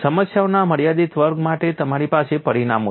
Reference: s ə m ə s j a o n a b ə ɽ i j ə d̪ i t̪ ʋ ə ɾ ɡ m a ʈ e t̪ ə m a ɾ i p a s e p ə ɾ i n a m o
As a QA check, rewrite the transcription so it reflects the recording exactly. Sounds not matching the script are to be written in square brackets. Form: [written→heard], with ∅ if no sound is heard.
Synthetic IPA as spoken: s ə m ə s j a o n a [b→m] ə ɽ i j [ə→a] d̪ i t̪ ʋ ə ɾ ɡ m a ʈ e t̪ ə m a ɾ i p a s e p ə ɾ i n a m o

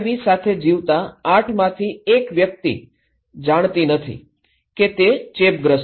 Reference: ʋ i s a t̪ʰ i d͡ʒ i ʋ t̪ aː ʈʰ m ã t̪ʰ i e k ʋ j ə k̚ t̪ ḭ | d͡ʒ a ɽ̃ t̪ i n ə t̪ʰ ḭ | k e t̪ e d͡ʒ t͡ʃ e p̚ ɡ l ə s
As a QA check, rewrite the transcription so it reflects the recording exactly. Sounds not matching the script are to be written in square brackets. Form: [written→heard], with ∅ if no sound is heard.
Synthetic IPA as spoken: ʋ i s a t̪ʰ [i→e] d͡ʒ i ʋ t̪ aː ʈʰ m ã t̪ʰ i e k ʋ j ə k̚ t̪ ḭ | d͡ʒ a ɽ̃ t̪ i n ə t̪ʰ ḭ | k e t̪ e [d͡ʒ→∅] t͡ʃ e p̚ ɡ [l→ɾ] ə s

